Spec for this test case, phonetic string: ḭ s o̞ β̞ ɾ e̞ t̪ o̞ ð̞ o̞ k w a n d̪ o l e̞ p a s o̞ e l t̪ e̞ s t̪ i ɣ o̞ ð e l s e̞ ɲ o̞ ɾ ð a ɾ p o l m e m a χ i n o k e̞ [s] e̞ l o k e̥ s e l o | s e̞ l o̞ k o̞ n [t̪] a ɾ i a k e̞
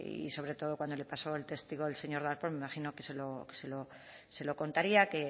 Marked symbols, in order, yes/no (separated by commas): yes, yes